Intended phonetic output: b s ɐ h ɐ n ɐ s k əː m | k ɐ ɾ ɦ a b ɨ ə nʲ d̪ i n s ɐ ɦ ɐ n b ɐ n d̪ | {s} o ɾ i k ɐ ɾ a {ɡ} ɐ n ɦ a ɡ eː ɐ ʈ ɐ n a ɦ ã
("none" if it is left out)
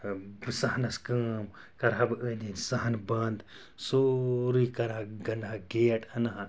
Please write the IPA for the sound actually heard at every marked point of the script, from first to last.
s, ɡ

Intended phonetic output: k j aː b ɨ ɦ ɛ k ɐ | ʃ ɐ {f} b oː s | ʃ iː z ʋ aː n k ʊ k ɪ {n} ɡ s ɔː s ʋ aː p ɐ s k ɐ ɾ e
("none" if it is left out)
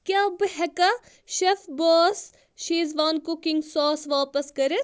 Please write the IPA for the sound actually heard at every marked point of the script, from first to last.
f, ŋ

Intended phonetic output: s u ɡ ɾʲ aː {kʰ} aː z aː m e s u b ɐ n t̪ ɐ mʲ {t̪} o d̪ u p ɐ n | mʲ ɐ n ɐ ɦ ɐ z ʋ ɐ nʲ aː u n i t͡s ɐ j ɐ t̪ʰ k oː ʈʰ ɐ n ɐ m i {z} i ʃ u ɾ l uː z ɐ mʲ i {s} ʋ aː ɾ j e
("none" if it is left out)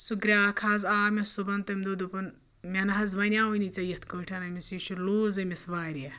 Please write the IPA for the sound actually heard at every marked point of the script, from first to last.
kʰ, d̪, s, s

